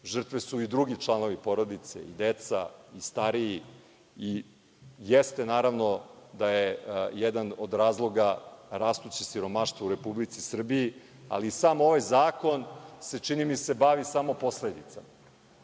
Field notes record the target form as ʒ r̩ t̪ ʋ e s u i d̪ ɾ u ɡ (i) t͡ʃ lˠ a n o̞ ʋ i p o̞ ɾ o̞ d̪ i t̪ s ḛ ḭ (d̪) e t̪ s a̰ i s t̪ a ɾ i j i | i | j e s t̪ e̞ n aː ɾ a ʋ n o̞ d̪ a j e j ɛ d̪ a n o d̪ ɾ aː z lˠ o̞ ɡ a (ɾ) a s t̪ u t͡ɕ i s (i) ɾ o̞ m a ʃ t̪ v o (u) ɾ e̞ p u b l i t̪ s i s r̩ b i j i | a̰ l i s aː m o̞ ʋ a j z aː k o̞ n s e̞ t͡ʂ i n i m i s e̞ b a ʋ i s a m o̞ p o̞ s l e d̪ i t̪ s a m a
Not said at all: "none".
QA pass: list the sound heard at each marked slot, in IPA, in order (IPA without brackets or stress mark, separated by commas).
i, d̪, ɾ, i, u